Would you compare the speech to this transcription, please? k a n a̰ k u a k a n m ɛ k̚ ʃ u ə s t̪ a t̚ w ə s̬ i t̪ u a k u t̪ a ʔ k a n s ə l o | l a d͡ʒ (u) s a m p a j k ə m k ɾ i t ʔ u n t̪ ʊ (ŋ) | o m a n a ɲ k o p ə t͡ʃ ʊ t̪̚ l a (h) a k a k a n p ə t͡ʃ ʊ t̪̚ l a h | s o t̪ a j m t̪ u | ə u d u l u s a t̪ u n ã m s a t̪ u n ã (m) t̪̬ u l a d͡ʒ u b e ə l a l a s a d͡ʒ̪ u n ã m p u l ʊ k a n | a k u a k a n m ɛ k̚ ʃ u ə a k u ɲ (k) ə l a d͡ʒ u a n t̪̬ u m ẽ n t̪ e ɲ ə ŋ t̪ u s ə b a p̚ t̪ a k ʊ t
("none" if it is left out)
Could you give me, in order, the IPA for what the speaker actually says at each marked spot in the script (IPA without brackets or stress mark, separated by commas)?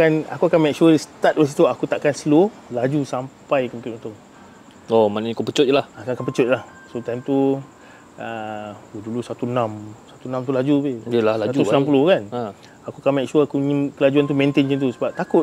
u, ŋ, h, m, k